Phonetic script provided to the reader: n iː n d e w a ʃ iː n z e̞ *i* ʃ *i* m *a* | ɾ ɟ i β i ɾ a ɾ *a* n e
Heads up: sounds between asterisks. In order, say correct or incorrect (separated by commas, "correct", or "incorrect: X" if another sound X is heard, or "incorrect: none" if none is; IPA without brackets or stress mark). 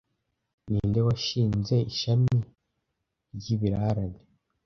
correct, incorrect: a, incorrect: i, correct